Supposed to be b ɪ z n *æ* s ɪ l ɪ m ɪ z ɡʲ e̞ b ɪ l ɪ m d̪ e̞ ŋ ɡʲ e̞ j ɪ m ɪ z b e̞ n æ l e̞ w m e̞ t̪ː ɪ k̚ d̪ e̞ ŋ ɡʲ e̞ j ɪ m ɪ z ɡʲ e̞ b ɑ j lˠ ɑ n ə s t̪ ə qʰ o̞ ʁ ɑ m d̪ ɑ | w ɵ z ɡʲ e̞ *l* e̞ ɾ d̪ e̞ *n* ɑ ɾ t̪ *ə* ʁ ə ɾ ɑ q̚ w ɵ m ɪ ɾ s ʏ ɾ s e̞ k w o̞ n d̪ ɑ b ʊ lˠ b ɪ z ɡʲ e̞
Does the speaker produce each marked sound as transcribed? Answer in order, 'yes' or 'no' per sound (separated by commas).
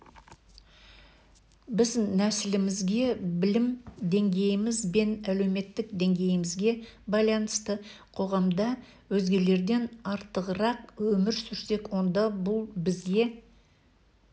yes, yes, yes, yes